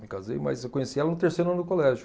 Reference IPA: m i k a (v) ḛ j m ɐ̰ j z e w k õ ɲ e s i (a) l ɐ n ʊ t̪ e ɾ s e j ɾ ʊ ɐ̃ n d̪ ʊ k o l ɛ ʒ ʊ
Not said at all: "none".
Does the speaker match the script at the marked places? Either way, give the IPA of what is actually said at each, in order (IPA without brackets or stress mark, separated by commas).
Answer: z, ɛ